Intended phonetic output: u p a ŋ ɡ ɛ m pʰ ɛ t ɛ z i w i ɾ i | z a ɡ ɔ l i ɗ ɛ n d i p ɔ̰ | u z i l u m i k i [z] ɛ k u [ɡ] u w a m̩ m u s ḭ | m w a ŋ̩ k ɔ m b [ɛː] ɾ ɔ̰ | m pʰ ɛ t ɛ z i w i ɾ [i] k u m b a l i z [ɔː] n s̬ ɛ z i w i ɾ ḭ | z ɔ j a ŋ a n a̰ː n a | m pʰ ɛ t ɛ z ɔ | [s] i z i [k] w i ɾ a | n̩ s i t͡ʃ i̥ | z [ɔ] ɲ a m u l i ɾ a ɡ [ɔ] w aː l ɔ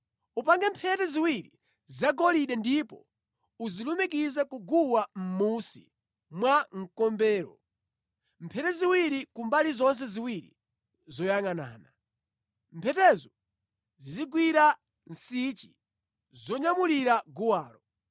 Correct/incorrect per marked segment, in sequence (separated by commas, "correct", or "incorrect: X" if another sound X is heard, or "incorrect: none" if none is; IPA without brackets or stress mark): correct, correct, correct, correct, incorrect: ɔ, incorrect: z, incorrect: ɡ, correct, incorrect: u